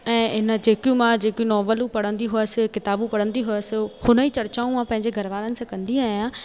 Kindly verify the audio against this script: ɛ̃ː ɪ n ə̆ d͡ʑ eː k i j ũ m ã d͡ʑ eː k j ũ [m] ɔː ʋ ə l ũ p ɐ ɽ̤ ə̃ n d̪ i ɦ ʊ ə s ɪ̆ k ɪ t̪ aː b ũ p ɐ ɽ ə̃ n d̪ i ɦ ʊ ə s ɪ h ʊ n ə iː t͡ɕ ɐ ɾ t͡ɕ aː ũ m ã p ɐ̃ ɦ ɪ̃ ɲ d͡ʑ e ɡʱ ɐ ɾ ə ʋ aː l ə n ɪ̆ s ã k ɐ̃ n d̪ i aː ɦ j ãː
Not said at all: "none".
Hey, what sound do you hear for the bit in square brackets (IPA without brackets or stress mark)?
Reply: n